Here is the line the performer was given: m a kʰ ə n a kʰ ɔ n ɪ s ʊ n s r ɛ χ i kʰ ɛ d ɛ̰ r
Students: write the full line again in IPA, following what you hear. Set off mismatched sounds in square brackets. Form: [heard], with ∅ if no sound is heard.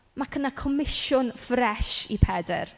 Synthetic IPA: m a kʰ ə n a kʰ ɔ [m] ɪ [ʃ] ʊ n [f] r ɛ [ʃ] i [pʰ] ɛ d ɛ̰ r